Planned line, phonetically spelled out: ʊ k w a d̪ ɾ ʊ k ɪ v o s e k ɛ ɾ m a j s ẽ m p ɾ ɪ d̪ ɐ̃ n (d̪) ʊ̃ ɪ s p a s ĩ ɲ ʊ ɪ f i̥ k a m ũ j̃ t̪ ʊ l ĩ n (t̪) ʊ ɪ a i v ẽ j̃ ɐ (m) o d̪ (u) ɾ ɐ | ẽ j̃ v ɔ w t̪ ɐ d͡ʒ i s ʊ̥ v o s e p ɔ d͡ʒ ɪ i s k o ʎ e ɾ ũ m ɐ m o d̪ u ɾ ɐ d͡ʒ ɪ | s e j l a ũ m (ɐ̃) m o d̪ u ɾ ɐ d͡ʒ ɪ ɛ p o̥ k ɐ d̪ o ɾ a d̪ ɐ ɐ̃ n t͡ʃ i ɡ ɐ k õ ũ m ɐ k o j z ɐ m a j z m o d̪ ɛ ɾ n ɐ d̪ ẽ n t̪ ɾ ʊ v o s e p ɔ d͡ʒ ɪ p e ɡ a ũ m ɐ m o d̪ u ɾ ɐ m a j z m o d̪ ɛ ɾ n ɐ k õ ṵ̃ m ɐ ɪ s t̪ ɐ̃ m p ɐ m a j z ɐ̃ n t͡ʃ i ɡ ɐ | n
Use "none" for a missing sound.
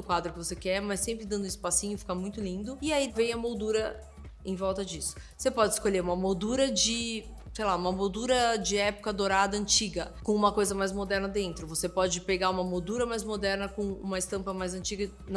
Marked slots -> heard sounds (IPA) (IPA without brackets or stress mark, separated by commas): d̪, d̪, m, u, ɐ